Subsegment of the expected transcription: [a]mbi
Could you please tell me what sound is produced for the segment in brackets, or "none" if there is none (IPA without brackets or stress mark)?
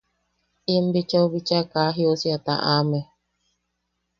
i